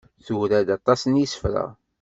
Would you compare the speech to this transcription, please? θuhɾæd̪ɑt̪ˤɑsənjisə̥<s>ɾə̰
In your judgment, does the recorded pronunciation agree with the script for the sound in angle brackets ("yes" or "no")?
no